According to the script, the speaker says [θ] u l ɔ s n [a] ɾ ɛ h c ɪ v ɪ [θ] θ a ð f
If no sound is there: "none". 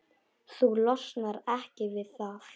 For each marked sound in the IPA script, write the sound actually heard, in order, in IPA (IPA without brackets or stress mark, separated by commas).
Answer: θ, a, ð